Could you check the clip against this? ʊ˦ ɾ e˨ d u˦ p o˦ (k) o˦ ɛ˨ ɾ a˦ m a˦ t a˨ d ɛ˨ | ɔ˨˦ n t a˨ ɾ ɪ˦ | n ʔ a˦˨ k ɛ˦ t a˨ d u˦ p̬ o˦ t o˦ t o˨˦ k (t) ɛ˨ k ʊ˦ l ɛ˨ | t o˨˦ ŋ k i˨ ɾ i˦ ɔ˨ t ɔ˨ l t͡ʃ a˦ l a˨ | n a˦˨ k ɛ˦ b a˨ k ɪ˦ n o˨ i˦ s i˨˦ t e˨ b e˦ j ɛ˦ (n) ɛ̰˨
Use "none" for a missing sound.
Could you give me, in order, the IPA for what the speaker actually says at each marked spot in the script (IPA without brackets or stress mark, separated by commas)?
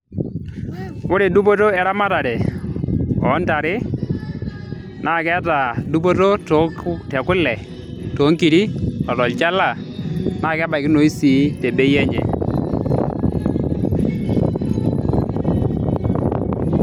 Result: t, t, ɲ